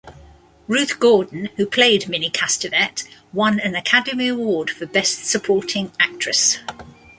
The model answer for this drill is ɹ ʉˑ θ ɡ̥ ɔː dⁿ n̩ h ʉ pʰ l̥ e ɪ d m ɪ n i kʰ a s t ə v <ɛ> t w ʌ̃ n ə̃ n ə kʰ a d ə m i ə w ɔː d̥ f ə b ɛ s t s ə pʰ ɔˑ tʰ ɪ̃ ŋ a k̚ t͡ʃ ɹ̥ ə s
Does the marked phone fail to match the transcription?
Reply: no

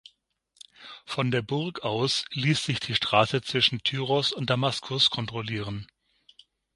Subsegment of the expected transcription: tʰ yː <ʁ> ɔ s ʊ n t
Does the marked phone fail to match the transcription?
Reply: no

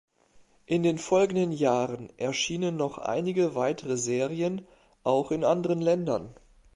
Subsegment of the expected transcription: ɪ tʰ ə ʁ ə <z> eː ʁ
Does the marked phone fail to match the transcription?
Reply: no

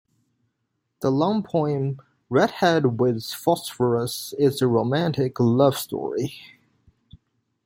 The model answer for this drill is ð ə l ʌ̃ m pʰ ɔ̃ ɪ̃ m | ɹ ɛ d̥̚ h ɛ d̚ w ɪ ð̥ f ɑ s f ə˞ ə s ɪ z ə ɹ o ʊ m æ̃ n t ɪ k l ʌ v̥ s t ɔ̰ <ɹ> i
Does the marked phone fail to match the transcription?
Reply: no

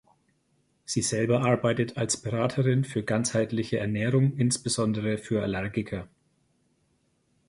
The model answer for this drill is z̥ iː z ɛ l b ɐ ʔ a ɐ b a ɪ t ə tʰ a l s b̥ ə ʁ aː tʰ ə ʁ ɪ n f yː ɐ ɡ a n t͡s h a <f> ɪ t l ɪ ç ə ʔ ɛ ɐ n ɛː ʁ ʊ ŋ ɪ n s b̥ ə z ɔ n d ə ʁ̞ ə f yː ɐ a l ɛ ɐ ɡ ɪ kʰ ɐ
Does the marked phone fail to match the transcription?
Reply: yes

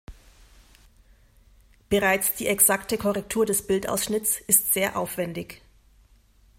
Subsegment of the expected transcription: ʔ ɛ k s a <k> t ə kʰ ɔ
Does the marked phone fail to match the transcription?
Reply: no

